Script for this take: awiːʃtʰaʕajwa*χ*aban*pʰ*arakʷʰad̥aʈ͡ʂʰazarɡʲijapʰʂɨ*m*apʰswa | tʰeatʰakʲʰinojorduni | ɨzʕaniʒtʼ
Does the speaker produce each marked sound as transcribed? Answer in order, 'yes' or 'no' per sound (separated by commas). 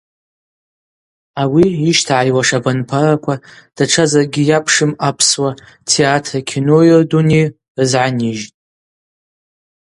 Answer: no, yes, yes